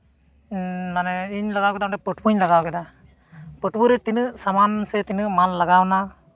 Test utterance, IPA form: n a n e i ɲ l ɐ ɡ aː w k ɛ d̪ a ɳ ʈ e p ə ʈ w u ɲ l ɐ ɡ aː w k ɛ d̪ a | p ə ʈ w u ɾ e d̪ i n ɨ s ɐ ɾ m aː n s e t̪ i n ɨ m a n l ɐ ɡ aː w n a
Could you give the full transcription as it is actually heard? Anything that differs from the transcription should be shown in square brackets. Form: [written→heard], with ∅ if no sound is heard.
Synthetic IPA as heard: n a n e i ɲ l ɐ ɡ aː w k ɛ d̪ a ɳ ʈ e p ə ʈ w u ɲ l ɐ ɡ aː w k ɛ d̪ a | p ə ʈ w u ɾ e [d̪→t̪] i n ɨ s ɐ [ɾ→∅] m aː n s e t̪ i n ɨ m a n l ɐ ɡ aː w n a